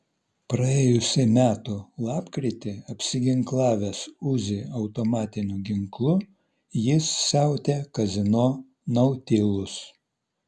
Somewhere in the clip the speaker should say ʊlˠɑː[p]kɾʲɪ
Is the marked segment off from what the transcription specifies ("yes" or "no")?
no